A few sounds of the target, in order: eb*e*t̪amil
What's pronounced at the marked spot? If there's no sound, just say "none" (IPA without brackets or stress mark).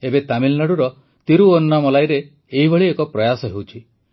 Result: e